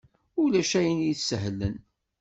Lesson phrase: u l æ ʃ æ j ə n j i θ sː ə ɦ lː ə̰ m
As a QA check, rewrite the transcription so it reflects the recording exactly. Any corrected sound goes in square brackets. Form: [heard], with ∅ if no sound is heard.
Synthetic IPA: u l æ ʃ æ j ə n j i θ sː ə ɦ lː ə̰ [n]